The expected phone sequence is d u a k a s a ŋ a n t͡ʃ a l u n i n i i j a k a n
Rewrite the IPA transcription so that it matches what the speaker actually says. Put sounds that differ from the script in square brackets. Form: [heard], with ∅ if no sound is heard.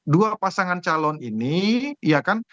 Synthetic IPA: d u a [p] a s a ŋ a n t͡ʃ a l [ɔ] n i n i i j a k a n